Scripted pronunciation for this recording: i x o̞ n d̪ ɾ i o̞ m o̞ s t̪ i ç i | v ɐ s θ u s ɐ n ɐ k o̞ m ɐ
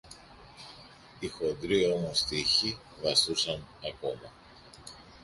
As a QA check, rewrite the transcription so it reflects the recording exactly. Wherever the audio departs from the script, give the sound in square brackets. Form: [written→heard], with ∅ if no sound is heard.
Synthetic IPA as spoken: i x o̞ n d̪ ɾ i o̞ m o̞ s t̪ i ç i | v ɐ s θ u s ɐ n ɐ k o̞ m ɐ